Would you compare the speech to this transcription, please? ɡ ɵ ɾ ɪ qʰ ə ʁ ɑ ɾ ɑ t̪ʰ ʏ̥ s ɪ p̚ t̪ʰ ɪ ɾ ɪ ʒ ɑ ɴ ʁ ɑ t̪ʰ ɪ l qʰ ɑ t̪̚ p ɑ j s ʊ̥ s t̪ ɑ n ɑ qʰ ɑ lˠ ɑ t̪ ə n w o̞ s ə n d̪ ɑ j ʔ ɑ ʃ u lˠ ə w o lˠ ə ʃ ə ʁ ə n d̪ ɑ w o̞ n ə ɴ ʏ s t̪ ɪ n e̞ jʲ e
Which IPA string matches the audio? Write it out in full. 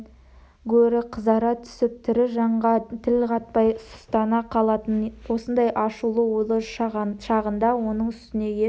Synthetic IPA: ɡ ɵ ɾ ɪ qʰ ə z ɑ ɾ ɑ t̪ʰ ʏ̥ s ɪ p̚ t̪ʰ ɪ ɾ ɪ ʒ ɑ ɴ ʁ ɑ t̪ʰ ɪ l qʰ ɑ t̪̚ p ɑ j s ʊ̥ s t̪ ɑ n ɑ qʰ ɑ lˠ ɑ t̪ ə n w o̞ s ə n d̪ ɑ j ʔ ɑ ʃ u lˠ ə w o lˠ ə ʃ ɑ ʁ ə n d̪ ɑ w o̞ n ə ɴ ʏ s t̪ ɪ n e̞ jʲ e